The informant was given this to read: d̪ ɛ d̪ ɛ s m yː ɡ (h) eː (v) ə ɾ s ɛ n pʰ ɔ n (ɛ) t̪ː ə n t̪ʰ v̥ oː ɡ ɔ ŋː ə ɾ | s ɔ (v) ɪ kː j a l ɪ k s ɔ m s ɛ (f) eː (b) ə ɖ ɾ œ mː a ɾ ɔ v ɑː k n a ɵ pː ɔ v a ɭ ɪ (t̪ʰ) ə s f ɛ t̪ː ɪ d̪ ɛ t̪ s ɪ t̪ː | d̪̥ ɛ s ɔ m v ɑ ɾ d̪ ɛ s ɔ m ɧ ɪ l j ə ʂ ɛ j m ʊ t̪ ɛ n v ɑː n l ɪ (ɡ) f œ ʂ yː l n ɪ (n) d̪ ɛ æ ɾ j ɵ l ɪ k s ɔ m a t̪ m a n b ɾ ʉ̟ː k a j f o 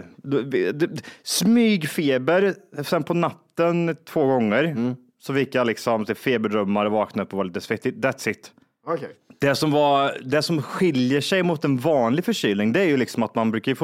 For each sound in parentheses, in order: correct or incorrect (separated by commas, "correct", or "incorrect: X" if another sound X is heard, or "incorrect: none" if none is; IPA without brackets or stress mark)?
incorrect: f, incorrect: b, incorrect: a, incorrect: f, correct, correct, incorrect: t̪, correct, incorrect: ŋ